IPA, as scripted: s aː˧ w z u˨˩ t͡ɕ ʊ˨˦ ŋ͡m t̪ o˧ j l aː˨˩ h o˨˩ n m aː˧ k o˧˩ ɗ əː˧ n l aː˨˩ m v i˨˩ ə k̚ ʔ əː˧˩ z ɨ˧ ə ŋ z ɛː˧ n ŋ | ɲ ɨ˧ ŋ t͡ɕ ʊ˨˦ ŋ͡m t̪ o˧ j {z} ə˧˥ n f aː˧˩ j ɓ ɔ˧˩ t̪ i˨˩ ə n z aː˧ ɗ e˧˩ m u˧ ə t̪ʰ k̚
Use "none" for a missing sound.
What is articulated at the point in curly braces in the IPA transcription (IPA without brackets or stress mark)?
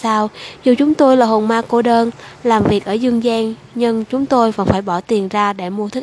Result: v